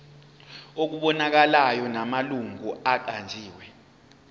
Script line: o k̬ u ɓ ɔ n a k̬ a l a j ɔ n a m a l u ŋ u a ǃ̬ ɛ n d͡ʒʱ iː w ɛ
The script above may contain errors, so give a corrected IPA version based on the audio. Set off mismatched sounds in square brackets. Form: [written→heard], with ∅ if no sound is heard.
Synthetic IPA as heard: o k̬ u ɓ ɔ n a k̬ a l a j ɔ n a m a l u ŋ u a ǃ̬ [ɛ→a] n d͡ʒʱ iː w ɛ